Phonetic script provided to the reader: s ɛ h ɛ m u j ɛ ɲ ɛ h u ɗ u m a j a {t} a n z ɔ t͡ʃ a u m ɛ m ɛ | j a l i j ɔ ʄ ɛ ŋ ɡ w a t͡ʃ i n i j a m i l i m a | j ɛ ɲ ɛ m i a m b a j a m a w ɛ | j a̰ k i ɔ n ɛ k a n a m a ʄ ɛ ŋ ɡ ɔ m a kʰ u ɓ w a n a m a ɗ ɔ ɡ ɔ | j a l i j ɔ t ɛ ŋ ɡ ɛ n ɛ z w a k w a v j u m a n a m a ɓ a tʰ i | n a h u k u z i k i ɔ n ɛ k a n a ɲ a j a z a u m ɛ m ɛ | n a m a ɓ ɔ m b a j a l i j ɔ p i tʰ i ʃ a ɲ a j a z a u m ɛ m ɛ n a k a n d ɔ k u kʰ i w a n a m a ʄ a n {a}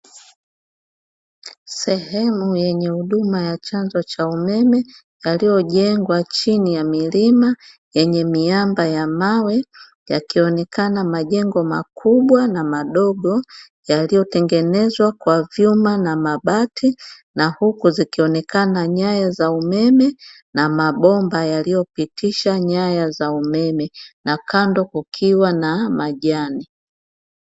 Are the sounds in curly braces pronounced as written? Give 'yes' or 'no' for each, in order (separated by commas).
no, no